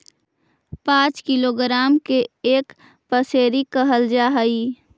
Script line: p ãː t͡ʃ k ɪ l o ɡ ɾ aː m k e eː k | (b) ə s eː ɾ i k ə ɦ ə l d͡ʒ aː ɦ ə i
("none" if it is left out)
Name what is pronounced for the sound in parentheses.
p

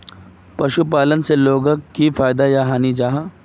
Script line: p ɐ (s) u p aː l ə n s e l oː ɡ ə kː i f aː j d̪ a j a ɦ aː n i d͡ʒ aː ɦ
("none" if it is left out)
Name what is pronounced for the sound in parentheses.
ʃ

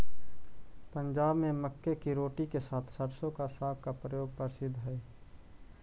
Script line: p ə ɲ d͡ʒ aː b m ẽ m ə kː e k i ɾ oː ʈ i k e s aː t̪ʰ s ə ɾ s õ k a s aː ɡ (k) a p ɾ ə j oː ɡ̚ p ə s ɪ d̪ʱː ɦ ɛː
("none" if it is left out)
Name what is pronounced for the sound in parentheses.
k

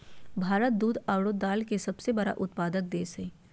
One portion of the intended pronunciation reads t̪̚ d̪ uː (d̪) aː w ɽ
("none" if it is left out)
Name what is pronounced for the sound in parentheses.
d̪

